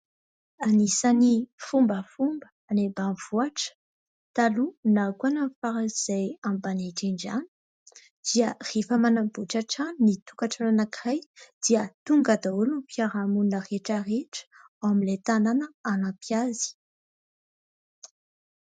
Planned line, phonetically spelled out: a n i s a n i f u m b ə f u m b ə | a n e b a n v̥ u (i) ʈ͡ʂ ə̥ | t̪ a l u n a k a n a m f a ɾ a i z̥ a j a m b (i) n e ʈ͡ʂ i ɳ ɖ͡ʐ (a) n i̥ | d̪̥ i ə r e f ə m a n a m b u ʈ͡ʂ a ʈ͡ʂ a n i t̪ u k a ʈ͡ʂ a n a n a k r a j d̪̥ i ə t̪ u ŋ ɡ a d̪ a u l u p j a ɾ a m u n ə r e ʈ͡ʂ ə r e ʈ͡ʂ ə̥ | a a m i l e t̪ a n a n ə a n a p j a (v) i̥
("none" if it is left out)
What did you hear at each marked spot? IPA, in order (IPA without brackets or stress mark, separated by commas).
a, a, a, z